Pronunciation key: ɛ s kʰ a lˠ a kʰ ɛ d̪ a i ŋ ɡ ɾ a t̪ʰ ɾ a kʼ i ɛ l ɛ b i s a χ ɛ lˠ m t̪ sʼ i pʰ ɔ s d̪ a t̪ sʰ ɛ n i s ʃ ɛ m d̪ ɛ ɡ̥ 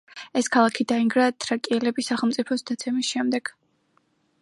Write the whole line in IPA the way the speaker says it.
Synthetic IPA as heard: ɛ s kʰ a lˠ a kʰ i d̪ a i ŋ ɡ ɾ a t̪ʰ ɾ a kʼ i ɛ l ɛ b i s a χ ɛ lˠ m t̪ sʼ i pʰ ɔ s d̪ a t̪ sʰ ɛ m i s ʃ ɛ m d̪ ɛ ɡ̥